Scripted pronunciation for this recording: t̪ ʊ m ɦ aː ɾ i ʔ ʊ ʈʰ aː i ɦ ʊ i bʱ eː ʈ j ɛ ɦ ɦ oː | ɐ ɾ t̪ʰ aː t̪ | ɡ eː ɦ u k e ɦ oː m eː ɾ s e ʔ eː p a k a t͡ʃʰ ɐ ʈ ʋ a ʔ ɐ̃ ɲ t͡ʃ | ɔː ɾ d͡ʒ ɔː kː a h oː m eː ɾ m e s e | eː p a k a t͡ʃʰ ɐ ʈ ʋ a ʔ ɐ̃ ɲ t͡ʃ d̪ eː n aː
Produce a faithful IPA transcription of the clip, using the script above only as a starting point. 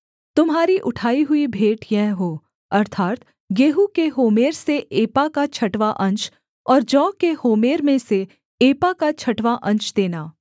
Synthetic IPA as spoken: t̪ ʊ m ɦ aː ɾ i ʔ ʊ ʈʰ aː i ɦ ʊ i bʱ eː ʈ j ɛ ɦ ɦ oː | ɐ ɾ t̪ʰ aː t̪ | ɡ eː ɦ u k e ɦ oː m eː ɾ s e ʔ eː p a k a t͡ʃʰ ɐ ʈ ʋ a ʔ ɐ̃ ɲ t͡ʃ | ɔː ɾ d͡ʒ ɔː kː e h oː m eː ɾ m ẽ s e | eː p a k a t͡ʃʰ ɐ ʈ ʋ a ʔ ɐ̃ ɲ t͡ʃ d̪ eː n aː